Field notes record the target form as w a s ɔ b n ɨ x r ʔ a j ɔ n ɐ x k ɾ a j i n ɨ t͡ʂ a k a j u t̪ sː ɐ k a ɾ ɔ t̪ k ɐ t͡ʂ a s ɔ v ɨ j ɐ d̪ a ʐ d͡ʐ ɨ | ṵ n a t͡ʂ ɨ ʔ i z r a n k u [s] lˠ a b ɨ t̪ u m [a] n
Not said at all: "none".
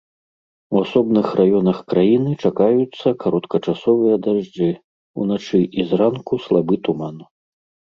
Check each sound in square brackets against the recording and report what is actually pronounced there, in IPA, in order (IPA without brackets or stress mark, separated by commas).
s, a